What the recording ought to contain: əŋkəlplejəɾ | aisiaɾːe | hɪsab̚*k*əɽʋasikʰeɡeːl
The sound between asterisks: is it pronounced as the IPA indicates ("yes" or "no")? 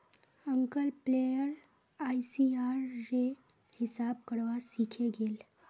yes